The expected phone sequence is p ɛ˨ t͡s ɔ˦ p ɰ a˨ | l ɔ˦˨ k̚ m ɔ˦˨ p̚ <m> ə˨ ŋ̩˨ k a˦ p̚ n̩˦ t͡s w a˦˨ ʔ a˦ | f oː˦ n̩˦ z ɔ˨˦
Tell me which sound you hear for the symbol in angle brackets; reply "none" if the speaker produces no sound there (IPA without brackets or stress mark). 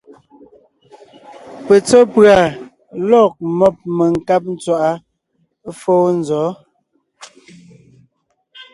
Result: m